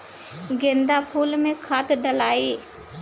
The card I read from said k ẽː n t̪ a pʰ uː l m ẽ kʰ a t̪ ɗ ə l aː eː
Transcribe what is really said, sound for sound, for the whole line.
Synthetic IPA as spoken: ɡ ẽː n d̪ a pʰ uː l m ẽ kʰ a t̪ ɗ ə l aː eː